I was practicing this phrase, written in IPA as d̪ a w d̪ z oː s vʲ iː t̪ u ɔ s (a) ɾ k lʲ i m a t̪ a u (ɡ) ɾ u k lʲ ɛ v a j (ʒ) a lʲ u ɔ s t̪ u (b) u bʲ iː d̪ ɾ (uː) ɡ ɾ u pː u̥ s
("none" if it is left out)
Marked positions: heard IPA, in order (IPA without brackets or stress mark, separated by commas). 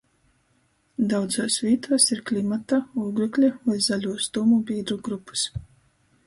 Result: i, ɡ, z, m, u